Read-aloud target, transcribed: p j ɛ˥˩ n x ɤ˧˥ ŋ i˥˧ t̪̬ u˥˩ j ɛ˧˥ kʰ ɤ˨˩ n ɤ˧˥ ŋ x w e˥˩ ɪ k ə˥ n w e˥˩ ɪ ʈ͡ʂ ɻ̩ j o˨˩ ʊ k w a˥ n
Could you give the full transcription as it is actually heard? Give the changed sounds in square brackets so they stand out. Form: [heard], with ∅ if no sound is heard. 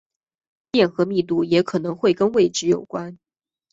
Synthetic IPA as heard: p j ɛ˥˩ n x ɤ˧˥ [m] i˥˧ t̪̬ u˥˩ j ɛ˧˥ kʰ ɤ˨˩ n ɤ˧˥ ŋ x w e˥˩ ɪ k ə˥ n w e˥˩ ɪ ʈ͡ʂ ɻ̩ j o˨˩ ʊ k w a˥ n

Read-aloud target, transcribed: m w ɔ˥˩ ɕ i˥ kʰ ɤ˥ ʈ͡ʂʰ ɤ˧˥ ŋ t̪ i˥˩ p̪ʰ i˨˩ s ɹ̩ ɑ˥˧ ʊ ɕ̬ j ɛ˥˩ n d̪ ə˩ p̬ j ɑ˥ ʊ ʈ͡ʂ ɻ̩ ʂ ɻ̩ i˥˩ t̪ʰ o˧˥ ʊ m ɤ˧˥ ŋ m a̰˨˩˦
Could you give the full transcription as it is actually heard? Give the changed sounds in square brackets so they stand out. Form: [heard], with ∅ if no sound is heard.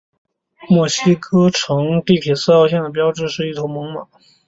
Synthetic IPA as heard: m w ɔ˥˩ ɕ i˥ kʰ ɤ˥ ʈ͡ʂʰ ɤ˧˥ ŋ t̪ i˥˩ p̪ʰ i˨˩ s ɹ̩ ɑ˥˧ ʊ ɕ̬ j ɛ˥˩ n d̪ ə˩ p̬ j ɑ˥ ʊ ʈ͡ʂ ɻ̩ ʂ ɻ̩ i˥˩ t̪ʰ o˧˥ ʊ m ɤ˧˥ ŋ m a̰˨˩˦

